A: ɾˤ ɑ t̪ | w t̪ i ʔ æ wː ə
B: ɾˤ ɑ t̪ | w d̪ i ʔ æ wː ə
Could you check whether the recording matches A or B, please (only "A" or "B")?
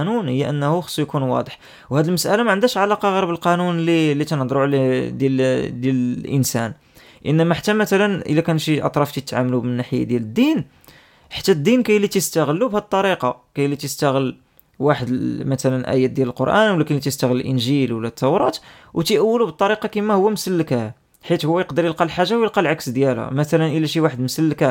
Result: A